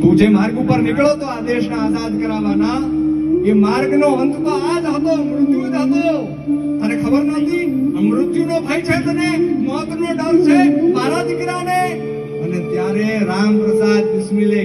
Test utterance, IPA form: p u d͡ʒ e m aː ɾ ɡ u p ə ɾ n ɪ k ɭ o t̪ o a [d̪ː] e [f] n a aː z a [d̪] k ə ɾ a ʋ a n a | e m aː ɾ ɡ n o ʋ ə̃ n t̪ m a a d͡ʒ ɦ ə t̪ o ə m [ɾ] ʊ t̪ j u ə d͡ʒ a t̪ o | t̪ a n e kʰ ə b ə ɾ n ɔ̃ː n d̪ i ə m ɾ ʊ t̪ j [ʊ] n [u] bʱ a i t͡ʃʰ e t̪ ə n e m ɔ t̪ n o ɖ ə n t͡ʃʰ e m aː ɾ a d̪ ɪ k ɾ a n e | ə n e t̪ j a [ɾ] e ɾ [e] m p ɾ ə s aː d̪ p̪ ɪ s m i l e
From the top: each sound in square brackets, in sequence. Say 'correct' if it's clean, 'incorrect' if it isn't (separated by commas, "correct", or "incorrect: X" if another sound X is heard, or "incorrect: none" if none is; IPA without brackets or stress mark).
incorrect: d̪, incorrect: ʃ, correct, correct, incorrect: u, incorrect: o, correct, incorrect: a